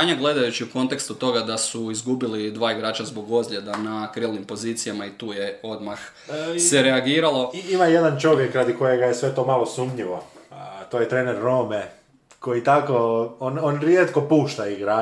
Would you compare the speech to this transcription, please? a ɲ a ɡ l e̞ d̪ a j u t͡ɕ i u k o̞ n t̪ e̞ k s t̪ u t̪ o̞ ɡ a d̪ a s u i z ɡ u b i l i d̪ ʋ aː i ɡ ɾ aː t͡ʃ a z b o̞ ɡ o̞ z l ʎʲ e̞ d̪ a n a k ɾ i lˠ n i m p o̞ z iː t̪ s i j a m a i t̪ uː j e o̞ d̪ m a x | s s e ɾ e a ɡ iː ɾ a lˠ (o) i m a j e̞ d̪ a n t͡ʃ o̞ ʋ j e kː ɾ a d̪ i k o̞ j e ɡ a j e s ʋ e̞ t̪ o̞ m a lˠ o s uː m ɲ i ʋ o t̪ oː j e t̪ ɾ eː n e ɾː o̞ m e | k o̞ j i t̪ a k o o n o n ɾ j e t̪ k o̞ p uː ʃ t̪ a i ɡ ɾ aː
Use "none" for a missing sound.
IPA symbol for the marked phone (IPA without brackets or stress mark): o